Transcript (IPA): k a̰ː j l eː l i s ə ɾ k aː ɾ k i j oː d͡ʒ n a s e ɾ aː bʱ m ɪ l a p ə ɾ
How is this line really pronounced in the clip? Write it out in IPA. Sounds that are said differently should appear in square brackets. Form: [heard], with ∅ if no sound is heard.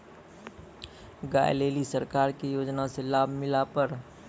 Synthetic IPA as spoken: [ɡ] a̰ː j l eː l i s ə ɾ k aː ɾ k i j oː d͡ʒ n a s e [l] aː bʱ m ɪ l a p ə ɾ